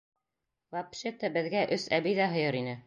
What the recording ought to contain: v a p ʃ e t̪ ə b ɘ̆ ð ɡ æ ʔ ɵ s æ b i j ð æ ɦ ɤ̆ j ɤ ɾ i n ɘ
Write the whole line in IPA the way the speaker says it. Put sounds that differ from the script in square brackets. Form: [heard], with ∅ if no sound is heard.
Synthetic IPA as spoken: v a p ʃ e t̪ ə b ɘ̆ ð ɡ æ ʔ ɵ s æ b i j ð æ ɦ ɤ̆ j ɤ ɾ i n ɘ